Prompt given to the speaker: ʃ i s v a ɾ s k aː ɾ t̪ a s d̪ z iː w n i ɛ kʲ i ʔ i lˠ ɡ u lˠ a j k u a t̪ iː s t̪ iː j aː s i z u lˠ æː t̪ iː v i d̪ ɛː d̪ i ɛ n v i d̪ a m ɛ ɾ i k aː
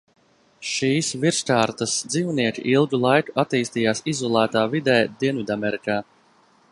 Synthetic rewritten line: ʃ iː s v i ɾ s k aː ɾ t̪ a s d̪ z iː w n i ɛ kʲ i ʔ i lˠ ɡ u lˠ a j k u a t̪ iː s t̪ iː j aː s i z ɔ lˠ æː t̪ aː v i d̪ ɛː d̪ i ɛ n v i d̪ a m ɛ ɾ i k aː